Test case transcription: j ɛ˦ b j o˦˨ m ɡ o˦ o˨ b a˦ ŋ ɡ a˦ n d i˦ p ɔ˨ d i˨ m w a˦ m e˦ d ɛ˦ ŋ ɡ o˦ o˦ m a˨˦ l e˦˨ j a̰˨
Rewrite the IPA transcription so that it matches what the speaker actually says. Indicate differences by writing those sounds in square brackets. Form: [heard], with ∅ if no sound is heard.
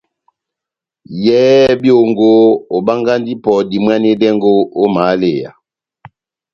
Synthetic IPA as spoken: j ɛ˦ b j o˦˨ [ŋ] ɡ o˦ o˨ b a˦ ŋ ɡ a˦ n d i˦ p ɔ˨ d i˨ m w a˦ [n] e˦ d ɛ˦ ŋ ɡ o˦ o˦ m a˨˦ l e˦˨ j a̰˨

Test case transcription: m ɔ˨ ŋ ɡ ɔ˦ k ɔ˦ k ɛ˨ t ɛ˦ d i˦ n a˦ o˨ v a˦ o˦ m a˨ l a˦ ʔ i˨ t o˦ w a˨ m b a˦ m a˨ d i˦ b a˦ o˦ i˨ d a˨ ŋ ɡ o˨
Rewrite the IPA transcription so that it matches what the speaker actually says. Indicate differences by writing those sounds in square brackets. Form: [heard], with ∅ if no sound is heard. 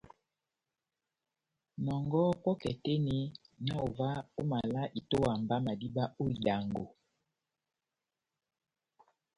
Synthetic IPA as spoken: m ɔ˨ ŋ ɡ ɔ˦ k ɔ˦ k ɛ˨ t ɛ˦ [n] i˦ n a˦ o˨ v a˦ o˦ m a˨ l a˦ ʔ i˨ t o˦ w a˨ m b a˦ m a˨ d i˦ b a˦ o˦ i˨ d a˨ ŋ ɡ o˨

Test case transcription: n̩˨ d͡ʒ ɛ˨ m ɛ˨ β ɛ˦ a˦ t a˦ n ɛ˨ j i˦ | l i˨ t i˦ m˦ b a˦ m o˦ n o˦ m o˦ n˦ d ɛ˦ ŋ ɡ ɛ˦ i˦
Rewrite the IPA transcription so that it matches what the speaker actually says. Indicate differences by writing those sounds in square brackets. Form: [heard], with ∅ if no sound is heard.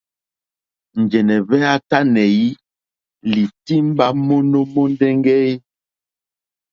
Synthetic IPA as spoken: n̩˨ d͡ʒ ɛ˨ [n] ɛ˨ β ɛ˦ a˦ t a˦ n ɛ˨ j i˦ | l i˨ t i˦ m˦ b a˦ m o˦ n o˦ m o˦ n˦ d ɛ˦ ŋ ɡ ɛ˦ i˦

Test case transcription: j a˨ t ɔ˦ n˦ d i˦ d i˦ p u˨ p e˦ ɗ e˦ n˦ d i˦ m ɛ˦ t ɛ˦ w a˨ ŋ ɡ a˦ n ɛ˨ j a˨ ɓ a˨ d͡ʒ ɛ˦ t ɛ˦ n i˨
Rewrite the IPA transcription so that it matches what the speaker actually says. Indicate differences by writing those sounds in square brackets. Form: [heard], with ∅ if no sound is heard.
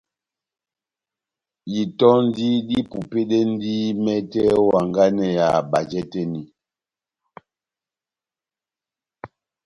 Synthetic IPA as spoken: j [i˨] t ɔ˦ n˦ d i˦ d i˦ p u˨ p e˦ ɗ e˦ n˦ d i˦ m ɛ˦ t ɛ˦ w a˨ ŋ ɡ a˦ n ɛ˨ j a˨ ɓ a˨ d͡ʒ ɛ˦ t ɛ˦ n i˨

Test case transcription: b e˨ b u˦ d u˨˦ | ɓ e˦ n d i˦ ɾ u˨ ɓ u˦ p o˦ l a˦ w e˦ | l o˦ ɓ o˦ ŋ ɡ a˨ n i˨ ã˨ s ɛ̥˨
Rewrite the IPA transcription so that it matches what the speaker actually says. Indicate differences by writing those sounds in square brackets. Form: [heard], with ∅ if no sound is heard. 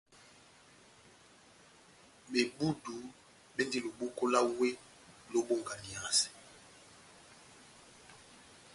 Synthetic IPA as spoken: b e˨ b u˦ d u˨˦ | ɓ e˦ n d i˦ [l] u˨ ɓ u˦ [k] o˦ l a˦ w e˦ | l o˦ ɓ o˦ ŋ ɡ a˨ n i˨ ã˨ s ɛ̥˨

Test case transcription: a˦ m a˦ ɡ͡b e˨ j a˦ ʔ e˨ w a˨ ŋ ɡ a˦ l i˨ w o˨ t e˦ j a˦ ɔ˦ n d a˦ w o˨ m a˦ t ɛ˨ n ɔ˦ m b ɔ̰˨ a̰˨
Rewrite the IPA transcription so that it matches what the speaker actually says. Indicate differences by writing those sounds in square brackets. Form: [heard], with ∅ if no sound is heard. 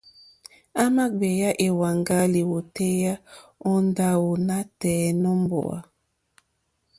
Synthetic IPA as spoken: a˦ m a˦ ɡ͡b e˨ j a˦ ʔ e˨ w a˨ ŋ ɡ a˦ l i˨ w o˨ t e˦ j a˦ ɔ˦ n d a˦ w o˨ [n] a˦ t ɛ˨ n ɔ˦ m b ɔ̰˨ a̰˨

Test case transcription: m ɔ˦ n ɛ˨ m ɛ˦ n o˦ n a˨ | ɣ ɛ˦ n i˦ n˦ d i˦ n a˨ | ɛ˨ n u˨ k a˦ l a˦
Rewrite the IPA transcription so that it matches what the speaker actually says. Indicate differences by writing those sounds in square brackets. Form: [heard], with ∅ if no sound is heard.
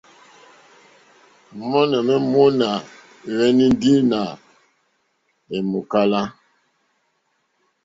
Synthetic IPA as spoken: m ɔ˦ n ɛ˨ m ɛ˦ [m] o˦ n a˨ | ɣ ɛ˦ n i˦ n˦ d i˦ n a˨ | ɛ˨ [m] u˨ k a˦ l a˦

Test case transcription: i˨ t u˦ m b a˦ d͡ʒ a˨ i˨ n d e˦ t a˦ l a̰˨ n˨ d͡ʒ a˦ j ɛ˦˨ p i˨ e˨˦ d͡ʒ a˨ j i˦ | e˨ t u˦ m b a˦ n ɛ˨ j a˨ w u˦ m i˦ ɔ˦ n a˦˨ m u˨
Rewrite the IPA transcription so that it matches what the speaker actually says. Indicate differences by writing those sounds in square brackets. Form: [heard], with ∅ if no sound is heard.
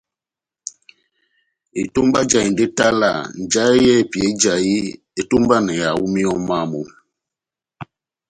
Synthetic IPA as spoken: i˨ t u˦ m b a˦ d͡ʒ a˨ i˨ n d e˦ t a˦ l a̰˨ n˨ d͡ʒ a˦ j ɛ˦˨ p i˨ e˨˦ d͡ʒ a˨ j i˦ | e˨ t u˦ m b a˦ n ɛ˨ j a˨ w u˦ m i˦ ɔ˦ [m] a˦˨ m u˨

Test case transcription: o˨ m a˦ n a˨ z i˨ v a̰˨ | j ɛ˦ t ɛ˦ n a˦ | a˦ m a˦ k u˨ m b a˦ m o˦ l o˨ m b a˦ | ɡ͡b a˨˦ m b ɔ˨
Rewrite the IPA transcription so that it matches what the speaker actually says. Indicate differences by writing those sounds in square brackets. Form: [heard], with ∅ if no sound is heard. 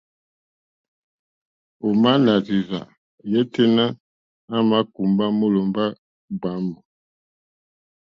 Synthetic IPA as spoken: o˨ m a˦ n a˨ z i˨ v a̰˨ | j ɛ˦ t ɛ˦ n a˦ | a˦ m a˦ k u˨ m b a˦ m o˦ l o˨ m b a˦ | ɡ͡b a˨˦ m b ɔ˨

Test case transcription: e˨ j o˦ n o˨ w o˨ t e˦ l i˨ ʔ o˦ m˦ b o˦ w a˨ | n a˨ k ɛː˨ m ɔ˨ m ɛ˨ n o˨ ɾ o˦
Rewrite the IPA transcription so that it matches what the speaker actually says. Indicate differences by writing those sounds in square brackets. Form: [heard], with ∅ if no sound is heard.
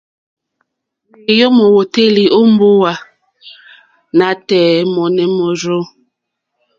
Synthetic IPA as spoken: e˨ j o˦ [m] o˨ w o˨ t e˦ l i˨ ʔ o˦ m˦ b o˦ w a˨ | n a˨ [t] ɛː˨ m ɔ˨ [n] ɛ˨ [m] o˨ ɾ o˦

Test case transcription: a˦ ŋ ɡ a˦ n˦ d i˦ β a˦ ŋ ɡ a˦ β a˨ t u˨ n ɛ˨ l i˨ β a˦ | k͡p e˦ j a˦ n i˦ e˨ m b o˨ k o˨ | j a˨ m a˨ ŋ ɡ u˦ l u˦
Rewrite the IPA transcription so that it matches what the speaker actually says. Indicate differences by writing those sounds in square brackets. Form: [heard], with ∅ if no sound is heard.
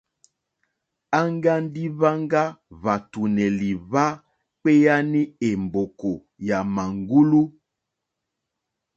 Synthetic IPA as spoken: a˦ ŋ ɡ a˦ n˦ d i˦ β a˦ ŋ ɡ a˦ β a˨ t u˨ n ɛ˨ l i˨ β a˦ | k͡p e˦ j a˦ n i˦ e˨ m b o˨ k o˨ | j a˨ m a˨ ŋ ɡ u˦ l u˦

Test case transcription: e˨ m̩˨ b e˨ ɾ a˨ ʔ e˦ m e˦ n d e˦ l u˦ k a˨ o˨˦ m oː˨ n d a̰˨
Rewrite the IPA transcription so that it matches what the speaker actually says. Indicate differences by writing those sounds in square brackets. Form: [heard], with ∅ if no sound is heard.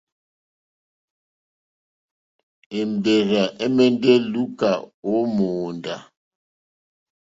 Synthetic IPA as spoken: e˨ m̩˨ b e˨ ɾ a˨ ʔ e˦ m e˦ n d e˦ l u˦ k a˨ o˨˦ m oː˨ n d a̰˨

